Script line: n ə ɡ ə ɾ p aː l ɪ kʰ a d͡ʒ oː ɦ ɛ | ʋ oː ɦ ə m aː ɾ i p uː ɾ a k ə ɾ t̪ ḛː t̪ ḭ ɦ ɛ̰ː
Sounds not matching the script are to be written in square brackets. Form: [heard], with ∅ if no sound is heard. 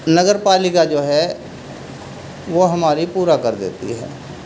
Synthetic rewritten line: n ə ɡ ə ɾ p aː l ɪ [k] a d͡ʒ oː ɦ ɛ | ʋ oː ɦ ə m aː ɾ i p uː ɾ a k ə ɾ [d̪] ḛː t̪ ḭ ɦ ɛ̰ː